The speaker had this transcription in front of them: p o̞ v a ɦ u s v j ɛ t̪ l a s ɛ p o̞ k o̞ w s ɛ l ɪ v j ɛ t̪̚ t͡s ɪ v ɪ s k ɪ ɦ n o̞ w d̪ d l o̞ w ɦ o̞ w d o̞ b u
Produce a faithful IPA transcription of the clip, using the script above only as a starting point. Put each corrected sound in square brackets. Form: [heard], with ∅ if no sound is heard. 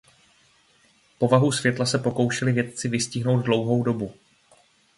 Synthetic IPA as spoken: p o̞ v a ɦ u s v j ɛ t̪ l a s ɛ p o̞ k o̞ w [ʃ] ɛ l ɪ v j ɛ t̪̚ t͡s ɪ v ɪ s [c] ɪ ɦ n o̞ w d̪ d l o̞ w ɦ o̞ w d o̞ b u